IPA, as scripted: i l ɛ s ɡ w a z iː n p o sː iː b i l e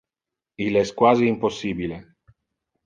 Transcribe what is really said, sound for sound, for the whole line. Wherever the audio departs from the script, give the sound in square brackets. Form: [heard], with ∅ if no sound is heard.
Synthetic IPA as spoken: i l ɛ s [k] w a z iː [m] p o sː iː b i l e